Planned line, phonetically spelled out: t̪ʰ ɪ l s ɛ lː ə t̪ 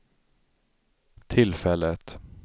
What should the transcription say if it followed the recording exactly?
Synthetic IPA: t̪ʰ ɪ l f ɛ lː ə t̪